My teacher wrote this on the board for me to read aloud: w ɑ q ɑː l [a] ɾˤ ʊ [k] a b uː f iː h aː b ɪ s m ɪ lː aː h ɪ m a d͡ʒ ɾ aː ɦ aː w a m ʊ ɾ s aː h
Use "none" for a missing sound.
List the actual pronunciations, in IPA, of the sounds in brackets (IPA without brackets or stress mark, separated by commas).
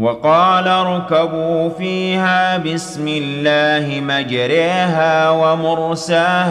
a, k